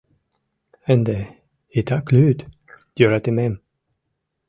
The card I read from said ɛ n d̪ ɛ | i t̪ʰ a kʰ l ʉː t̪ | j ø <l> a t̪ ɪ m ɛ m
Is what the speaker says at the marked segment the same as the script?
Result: no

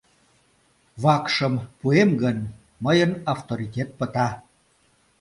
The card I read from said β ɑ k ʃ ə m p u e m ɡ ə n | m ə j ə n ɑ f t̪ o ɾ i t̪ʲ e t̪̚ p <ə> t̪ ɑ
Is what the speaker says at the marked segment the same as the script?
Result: yes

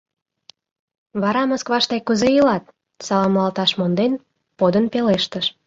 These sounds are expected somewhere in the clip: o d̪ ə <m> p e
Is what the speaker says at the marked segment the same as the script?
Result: no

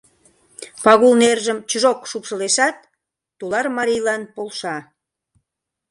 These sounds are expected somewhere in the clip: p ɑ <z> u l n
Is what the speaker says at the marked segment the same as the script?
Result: no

